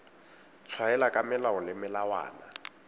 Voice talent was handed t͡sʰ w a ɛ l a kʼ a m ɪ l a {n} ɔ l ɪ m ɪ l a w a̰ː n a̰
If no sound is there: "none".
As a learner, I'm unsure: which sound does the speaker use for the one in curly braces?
none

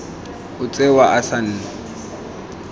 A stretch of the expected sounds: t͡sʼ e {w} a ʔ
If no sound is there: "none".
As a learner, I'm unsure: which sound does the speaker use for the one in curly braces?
w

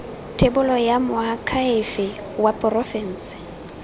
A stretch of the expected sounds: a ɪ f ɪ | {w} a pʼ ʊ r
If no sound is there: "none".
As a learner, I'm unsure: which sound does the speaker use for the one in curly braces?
w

